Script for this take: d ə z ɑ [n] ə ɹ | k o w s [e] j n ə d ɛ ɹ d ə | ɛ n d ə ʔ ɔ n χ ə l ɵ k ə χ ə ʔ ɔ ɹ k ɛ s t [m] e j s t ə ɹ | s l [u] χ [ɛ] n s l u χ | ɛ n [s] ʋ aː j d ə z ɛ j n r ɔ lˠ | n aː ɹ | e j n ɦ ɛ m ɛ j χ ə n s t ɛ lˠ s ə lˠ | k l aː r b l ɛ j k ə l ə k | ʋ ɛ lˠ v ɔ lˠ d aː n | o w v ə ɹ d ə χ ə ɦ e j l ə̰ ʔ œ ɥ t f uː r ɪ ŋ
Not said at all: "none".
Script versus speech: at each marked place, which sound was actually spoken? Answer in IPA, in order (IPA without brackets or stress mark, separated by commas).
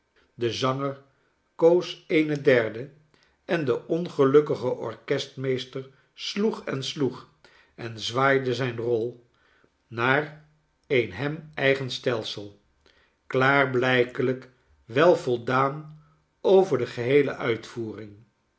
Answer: ŋ, e, m, u, ɛ, z